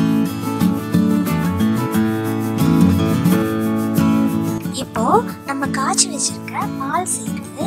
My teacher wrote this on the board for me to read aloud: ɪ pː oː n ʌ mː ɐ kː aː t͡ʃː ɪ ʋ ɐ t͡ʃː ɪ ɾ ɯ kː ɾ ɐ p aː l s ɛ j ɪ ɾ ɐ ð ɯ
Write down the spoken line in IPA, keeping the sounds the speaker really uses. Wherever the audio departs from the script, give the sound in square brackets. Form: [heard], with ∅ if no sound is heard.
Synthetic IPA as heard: ɪ pː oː n [ɐ] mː ɐ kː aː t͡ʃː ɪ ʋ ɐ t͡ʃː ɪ ɾ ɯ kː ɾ ɐ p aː l s ɛ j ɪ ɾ ɐ ð ɯ